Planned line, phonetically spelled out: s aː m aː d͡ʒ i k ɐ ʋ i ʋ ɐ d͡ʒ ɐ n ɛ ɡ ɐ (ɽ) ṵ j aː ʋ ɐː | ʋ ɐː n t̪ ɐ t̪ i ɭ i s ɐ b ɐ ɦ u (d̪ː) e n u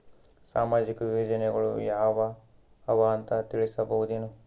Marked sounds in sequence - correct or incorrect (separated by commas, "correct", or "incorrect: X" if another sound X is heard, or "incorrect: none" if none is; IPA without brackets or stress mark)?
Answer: incorrect: ɭ, incorrect: d̪